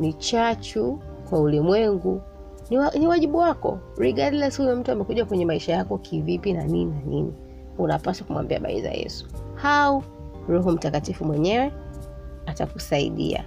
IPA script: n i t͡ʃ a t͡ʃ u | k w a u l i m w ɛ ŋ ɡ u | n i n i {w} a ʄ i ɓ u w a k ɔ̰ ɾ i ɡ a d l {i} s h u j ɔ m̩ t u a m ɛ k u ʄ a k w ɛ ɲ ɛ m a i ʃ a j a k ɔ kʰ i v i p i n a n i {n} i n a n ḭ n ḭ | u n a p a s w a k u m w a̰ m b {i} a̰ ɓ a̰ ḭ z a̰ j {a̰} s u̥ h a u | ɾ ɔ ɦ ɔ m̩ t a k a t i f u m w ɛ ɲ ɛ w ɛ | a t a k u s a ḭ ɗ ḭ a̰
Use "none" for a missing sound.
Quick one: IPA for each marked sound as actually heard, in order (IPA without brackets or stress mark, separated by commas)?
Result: w, ɛ, n, i, ɛ̰